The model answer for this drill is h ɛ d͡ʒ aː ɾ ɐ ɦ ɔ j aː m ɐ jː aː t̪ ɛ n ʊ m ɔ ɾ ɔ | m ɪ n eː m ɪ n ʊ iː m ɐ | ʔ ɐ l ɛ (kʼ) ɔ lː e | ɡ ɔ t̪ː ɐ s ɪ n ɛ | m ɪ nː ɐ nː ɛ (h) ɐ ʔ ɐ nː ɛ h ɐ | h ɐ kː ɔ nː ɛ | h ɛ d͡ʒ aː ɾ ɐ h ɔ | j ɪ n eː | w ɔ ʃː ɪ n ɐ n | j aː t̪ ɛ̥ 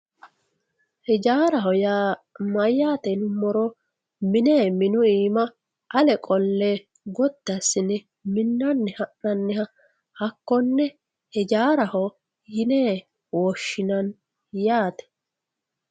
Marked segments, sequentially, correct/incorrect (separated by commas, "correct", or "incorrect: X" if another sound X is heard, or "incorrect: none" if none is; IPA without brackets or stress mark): correct, correct